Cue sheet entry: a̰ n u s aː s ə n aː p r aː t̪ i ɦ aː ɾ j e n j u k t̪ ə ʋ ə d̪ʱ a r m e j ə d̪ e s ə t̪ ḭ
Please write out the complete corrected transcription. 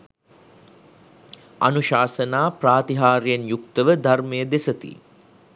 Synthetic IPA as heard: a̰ n u ʃ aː s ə n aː p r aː t̪ i ɦ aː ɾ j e n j u k t̪ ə ʋ ə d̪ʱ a r m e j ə d̪ e s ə t̪ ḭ